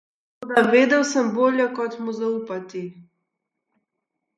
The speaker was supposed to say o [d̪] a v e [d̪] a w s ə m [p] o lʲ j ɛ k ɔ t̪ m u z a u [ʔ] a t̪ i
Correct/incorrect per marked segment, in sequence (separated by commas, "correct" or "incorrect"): correct, correct, incorrect, incorrect